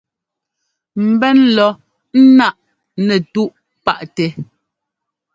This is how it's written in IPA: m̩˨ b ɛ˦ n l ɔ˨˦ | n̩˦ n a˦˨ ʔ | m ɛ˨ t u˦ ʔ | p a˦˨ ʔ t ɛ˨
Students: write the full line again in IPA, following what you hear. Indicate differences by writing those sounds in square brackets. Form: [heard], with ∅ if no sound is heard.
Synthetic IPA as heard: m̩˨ b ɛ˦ n l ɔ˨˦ | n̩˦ n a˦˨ ʔ | [n] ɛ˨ t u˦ ʔ | p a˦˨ ʔ t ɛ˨